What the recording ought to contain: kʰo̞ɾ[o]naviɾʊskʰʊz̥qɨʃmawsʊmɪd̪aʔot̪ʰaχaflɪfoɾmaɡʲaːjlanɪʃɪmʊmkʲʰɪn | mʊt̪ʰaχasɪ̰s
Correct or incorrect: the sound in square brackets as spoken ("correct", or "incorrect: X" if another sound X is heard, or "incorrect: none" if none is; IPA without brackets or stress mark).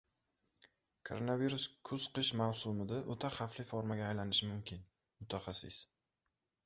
correct